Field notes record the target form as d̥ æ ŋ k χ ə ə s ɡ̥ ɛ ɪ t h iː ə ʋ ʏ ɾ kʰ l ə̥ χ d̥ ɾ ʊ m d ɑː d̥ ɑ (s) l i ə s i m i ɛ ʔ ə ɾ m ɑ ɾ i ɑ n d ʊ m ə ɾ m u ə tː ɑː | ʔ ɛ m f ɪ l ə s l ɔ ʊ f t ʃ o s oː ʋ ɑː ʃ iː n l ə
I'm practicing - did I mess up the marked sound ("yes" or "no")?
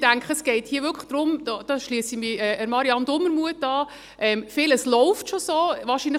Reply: yes